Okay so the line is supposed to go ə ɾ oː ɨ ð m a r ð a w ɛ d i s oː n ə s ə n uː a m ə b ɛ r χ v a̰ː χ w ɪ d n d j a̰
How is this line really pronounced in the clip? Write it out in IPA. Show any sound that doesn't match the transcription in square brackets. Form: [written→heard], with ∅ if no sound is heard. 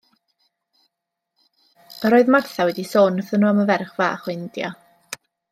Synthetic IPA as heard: ə ɾ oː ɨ ð m a r [ð→θ] a w ɛ d i s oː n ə [s→θ] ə n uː a m ə [b→v] ɛ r χ v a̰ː χ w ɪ [d→∅] n d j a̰